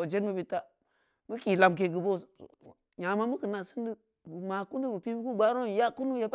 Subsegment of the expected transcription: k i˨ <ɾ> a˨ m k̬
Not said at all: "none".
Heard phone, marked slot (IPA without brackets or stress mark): l